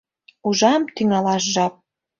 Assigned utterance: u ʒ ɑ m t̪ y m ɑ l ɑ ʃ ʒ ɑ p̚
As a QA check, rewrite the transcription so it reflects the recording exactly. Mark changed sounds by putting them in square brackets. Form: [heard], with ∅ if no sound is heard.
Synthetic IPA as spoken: u ʒ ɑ m t̪ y [ŋ] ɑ l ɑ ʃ ʒ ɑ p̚